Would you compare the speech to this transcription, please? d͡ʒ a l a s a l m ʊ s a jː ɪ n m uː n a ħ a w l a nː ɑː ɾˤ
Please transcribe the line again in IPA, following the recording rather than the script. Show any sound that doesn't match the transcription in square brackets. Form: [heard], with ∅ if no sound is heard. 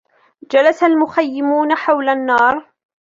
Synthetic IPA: d͡ʒ a l a s a l m ʊ [x] a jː ɪ [∅] m uː n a ħ a w l a nː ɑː ɾˤ